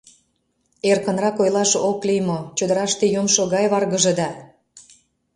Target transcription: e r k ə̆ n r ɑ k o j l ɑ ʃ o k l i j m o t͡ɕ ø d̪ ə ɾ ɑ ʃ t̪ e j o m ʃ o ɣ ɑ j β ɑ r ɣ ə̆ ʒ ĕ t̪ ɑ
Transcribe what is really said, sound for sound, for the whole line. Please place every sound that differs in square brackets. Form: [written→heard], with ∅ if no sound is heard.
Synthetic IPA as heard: e r k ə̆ n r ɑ k o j l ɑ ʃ o k l i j m o t͡ɕ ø d̪ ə ɾ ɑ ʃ t̪ e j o m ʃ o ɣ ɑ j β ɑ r ɣ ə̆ ʒ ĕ [t̪→d̪] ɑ